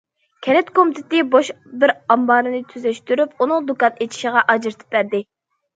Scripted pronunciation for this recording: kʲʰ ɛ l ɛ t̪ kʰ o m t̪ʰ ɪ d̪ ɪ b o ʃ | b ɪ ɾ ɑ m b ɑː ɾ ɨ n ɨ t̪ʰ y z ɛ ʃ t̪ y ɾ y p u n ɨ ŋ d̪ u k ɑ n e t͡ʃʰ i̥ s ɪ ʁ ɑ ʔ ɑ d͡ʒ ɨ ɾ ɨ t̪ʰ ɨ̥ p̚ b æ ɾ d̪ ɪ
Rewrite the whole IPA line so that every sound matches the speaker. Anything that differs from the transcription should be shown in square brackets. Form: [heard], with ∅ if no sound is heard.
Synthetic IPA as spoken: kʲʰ ɛ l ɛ t̪ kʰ o m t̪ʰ ɪ [t̪] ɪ b o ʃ | b ɪ ɾ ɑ m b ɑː ɾ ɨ n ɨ t̪ʰ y z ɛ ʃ t̪ y ɾ y p u n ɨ ŋ d̪ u k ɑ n e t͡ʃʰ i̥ [ʃ] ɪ ʁ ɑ ʔ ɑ d͡ʒ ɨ ɾ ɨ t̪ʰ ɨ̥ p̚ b æ ɾ d̪ ɪ

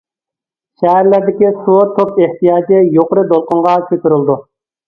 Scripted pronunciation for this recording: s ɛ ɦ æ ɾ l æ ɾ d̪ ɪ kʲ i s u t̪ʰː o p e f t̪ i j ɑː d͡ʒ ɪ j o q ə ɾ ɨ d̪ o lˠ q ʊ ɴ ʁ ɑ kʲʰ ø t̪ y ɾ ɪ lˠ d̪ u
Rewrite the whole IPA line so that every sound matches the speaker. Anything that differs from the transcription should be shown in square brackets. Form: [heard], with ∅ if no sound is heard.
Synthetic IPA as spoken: [ʃ] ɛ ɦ æ ɾ l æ ɾ d̪ ɪ kʲ i s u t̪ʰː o p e [h] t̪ i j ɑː d͡ʒ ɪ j o q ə ɾ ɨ d̪ o lˠ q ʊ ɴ ʁ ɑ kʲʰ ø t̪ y ɾ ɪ lˠ d̪ u

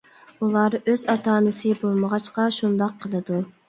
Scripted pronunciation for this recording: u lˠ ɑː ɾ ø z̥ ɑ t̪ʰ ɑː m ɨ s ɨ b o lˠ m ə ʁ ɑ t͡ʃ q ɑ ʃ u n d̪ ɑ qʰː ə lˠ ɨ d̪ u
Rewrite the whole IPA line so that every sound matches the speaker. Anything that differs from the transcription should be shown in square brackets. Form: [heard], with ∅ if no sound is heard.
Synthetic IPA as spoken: u lˠ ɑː ɾ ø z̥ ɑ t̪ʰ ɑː [n] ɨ s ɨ b o lˠ m ə ʁ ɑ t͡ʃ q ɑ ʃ u n d̪ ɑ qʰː ə lˠ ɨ d̪ u

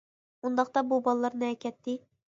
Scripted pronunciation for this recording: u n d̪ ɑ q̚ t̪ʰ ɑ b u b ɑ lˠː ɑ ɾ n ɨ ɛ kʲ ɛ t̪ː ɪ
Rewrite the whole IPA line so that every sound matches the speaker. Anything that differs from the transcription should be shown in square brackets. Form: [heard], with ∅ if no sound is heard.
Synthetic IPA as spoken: u n d̪ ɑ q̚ [t̪] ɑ b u b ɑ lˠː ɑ ɾ n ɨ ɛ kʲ ɛ t̪ː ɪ

